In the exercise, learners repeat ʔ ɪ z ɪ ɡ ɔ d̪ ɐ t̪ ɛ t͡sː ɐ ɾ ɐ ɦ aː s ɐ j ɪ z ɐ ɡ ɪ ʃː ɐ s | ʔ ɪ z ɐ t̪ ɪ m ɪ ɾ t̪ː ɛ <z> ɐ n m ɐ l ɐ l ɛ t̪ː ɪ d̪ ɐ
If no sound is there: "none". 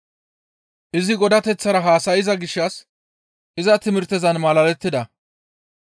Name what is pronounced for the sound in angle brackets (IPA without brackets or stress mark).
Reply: z